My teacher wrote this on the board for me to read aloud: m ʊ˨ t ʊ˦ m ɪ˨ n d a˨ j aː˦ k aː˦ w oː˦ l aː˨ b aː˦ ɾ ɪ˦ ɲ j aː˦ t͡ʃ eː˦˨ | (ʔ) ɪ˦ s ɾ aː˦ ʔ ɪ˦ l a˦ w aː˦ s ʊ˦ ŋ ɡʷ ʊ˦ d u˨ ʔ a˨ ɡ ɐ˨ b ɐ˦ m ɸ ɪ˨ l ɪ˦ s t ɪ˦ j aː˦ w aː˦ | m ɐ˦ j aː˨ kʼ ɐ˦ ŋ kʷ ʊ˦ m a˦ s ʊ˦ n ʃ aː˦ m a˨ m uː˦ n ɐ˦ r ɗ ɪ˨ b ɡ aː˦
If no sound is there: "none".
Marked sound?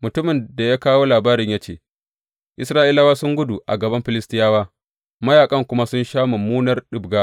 ʔ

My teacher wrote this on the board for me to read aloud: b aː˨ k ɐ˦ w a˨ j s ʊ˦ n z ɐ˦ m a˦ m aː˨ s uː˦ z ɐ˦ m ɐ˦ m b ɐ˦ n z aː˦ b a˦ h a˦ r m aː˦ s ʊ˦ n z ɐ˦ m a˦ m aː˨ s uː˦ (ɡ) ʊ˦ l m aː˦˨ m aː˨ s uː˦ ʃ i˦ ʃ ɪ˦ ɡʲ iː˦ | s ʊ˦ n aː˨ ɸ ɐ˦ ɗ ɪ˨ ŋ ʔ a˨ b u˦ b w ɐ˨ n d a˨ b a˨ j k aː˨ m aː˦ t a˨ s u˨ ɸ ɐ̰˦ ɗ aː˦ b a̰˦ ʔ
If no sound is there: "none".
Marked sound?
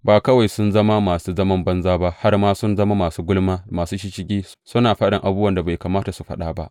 ɡ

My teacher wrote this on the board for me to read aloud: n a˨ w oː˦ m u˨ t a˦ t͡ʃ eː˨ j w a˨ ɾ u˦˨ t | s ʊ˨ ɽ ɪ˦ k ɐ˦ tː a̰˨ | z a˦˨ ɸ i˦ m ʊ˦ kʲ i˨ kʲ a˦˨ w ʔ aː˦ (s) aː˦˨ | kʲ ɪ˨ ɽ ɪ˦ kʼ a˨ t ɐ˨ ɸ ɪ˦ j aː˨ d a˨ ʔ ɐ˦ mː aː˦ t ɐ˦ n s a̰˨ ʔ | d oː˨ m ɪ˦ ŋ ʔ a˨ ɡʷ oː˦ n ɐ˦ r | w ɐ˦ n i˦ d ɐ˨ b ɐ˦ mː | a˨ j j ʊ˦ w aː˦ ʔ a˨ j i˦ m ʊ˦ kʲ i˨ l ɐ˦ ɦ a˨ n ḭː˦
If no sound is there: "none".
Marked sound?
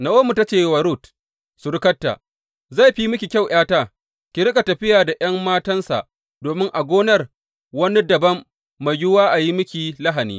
t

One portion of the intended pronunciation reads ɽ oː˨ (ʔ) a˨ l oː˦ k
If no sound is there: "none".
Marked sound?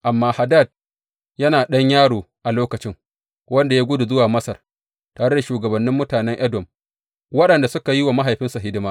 ʔ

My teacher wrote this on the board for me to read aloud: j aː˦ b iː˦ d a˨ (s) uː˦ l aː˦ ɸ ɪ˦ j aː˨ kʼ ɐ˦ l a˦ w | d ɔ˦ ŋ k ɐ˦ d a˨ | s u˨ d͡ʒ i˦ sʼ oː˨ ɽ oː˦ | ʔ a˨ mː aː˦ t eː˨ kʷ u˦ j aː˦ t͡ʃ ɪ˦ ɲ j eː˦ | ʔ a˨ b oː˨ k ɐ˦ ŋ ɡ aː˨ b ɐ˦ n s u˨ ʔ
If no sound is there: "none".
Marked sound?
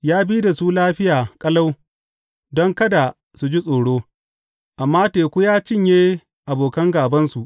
s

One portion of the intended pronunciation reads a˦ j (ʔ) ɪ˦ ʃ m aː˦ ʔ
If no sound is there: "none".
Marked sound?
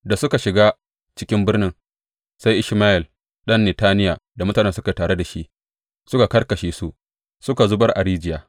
ʔ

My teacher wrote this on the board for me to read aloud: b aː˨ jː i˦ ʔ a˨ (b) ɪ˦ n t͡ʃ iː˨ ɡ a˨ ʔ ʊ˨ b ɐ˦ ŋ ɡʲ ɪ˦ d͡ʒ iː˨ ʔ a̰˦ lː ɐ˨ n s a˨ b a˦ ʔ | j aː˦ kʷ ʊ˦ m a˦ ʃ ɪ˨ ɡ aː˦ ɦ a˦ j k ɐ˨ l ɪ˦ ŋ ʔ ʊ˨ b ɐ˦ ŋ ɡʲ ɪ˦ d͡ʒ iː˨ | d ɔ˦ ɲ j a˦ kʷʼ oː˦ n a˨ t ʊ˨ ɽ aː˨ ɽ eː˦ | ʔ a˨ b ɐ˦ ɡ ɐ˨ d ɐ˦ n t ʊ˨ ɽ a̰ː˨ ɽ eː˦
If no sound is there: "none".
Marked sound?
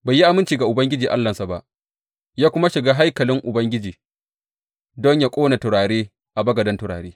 m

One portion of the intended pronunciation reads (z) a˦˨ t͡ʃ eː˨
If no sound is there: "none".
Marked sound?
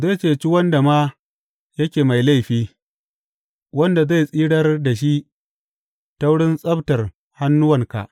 z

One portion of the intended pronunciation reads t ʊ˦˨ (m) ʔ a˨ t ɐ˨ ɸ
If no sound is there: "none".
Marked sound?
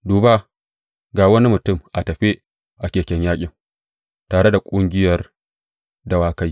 m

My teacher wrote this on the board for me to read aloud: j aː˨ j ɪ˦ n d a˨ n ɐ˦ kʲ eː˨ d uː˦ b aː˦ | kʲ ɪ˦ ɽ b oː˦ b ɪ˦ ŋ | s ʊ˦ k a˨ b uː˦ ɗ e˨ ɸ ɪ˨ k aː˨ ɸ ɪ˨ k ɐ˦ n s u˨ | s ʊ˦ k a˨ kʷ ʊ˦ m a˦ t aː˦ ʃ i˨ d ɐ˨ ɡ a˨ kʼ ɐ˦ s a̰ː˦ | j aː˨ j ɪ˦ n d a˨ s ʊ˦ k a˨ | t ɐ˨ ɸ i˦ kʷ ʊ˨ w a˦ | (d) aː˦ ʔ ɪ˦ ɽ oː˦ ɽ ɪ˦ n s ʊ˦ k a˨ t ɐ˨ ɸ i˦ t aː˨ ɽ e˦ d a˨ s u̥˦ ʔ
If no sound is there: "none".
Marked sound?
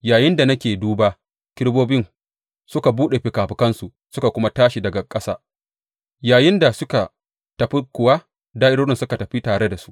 d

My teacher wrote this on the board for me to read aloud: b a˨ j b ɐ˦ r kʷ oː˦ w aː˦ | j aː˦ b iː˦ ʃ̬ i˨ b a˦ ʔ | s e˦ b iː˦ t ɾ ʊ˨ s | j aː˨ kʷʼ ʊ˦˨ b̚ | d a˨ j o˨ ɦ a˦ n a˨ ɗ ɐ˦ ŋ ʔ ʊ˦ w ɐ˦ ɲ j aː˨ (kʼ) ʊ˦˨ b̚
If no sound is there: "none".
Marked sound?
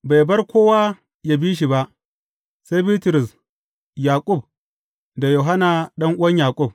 kʼ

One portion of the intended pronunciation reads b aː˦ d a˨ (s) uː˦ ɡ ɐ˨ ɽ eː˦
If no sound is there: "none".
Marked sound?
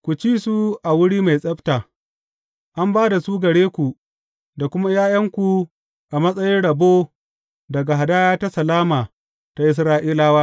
s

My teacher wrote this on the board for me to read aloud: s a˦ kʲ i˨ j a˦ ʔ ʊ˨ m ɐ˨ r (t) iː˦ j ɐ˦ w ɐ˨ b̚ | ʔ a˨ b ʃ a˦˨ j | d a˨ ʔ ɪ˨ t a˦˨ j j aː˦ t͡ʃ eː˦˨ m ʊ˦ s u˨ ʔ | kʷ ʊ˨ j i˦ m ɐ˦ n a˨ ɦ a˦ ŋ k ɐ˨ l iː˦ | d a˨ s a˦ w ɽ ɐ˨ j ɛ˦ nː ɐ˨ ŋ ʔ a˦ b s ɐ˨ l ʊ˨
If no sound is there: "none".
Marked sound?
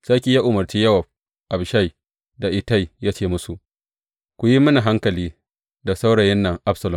t͡ʃ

